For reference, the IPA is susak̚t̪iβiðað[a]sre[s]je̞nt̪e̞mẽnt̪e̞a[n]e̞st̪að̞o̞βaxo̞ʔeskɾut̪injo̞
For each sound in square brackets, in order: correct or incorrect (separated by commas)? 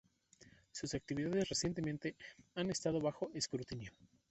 incorrect, correct, correct